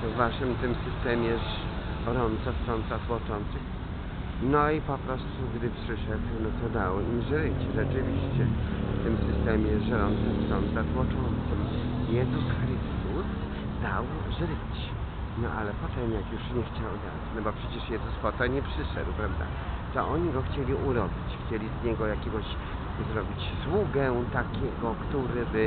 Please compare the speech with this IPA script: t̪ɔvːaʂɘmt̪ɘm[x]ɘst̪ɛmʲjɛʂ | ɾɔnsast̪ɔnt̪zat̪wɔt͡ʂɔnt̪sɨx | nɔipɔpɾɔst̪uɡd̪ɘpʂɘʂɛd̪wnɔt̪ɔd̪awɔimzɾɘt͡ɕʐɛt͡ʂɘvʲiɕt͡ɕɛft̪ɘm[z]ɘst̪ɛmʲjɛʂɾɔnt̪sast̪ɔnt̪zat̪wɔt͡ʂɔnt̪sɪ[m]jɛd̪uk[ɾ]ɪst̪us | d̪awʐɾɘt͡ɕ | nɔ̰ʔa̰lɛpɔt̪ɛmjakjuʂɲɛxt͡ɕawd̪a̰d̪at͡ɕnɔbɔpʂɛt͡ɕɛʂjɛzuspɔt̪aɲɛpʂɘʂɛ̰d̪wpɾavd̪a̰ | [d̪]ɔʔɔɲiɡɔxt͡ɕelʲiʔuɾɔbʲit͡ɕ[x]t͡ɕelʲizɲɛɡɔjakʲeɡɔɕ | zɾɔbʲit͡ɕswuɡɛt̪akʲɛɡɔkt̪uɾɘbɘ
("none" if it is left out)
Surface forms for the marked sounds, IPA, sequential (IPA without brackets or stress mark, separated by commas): s, s, m, ɾ, t̪, x